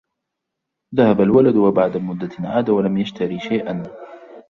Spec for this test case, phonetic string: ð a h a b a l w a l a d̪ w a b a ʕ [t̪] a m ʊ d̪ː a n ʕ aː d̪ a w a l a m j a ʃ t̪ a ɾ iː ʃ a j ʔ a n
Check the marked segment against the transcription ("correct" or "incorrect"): incorrect